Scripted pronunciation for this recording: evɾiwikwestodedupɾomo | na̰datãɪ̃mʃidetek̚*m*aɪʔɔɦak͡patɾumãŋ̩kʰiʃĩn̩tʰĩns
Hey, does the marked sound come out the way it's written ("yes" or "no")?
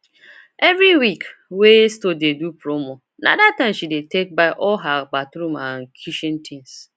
no